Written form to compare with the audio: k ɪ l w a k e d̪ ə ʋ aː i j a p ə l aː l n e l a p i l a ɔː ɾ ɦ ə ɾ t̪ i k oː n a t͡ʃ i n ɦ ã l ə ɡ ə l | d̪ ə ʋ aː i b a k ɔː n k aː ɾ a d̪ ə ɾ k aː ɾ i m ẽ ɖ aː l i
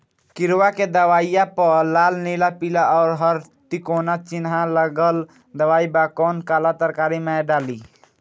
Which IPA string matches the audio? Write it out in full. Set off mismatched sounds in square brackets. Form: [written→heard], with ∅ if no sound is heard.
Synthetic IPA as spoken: k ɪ [l→ɾ] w a k e d̪ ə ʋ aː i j a p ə l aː l n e l a p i l a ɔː ɾ ɦ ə ɾ t̪ i k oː n a t͡ʃ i n ɦ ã l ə ɡ ə l | d̪ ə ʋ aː i b a k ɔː n k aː [ɾ→l] a [d̪→t̪] ə ɾ k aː ɾ i m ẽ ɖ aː l i